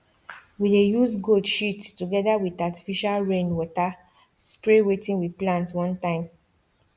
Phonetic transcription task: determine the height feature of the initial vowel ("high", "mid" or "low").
high